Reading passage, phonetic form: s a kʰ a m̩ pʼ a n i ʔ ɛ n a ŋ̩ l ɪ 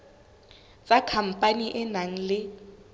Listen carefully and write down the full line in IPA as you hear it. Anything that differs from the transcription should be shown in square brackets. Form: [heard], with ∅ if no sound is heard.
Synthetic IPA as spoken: [t͡s] a kʰ a m̩ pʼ a n i ʔ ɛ n a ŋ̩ l ɪ